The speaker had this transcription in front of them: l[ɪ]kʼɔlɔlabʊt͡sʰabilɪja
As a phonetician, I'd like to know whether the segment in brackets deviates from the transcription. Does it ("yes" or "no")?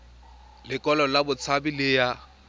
no